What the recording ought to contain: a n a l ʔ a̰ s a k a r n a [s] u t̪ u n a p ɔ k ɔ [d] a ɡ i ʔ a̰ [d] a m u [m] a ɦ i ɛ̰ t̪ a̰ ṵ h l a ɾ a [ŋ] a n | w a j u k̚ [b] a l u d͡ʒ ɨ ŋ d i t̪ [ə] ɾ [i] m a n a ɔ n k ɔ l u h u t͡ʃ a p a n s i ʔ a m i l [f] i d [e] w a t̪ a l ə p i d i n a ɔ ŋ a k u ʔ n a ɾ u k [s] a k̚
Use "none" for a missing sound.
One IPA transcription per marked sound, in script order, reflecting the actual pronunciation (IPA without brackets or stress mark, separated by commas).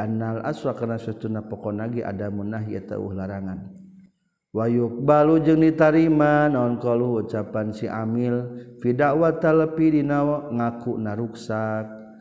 s, n, d, n, ŋ, b, a, i, f, a, s